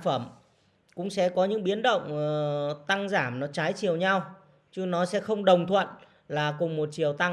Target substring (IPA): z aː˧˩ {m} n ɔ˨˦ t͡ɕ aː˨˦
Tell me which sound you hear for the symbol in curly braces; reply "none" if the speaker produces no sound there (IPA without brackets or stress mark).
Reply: m